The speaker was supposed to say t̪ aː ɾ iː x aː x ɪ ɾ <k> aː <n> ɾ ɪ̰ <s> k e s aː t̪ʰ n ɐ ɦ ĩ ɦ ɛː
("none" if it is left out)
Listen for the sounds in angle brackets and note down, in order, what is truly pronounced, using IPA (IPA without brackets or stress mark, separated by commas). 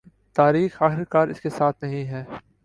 k, none, s